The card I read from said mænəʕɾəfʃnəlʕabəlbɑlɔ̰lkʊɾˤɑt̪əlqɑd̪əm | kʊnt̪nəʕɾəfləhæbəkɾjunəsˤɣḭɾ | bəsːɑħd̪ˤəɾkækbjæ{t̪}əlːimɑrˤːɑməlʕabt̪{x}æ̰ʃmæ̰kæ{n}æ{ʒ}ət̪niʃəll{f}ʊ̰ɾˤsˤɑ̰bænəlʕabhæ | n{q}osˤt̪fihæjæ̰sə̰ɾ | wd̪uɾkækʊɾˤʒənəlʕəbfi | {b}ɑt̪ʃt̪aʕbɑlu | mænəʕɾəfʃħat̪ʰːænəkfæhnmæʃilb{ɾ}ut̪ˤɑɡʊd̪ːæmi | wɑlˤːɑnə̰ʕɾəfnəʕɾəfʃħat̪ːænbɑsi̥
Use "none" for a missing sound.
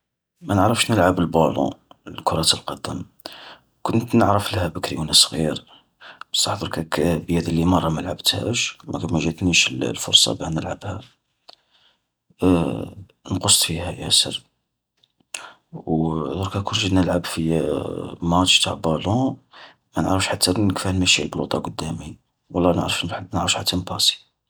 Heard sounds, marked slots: d̪, h, m, ʒ, f, q, m, l

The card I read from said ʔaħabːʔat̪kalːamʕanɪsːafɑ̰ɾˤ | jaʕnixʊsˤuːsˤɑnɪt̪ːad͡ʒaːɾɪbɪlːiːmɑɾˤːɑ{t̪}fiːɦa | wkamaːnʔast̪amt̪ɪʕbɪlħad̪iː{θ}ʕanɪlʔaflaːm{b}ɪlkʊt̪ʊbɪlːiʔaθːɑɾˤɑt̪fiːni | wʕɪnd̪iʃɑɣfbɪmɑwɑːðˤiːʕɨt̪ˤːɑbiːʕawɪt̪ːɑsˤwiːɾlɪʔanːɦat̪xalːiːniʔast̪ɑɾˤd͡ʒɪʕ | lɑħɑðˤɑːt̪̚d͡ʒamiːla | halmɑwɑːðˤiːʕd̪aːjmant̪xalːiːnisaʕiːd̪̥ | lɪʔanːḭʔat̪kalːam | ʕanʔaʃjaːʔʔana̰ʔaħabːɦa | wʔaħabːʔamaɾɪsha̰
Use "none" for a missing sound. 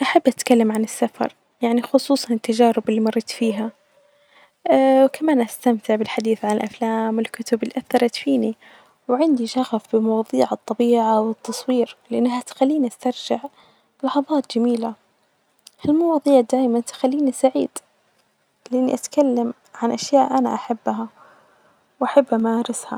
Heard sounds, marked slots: t̪, θ, w

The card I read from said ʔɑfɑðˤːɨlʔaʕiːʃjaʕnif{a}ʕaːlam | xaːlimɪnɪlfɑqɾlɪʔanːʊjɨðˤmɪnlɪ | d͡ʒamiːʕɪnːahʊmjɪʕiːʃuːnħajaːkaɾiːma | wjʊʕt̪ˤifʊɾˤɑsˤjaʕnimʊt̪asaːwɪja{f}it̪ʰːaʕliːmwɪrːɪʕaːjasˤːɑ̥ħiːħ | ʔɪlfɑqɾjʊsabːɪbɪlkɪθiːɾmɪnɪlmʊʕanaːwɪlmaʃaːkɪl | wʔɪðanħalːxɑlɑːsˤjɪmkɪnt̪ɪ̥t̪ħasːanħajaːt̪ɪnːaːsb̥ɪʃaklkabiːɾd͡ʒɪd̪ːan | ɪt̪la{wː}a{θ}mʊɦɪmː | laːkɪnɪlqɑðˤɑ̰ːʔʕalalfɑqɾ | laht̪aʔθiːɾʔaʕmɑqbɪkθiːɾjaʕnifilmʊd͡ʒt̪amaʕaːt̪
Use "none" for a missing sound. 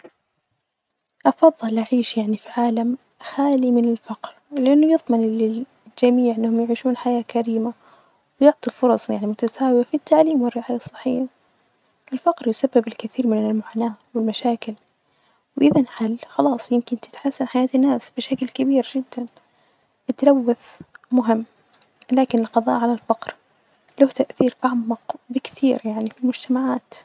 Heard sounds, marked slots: i, f, wː, θ

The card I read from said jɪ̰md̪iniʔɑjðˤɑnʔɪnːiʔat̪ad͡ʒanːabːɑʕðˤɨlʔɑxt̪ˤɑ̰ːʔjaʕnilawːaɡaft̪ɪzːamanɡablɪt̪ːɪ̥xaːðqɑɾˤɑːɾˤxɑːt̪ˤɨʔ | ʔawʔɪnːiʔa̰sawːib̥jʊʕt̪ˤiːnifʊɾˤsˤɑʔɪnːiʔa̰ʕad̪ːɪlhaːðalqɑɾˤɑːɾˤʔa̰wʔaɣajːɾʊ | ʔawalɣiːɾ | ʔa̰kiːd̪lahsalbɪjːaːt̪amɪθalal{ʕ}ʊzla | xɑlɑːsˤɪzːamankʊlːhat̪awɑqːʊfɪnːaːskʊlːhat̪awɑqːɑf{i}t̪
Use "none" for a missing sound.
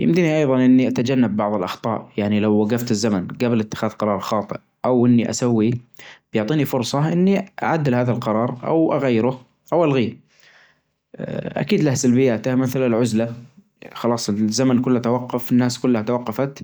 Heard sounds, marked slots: ʕ, a

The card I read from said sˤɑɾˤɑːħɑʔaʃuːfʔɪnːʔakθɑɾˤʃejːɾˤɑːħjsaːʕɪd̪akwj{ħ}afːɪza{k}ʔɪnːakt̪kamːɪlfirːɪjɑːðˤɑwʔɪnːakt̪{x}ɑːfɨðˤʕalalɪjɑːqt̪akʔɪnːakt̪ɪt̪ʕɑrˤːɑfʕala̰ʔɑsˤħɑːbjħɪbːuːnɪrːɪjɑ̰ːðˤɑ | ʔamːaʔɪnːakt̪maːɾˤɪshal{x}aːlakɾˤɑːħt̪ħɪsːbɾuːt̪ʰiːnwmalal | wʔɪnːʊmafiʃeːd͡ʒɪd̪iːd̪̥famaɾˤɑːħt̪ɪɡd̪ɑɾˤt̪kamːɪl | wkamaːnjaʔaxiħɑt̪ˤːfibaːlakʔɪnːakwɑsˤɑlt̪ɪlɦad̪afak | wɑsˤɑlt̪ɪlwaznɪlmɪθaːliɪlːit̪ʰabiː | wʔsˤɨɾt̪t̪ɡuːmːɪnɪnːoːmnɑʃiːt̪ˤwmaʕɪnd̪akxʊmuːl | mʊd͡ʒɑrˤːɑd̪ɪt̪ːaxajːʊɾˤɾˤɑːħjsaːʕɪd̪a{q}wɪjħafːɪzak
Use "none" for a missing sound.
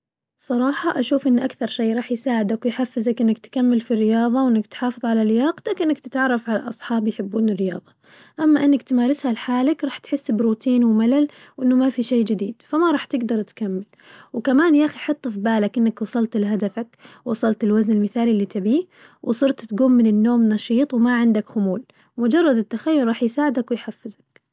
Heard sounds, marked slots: ħ, k, ħ, ħ, k

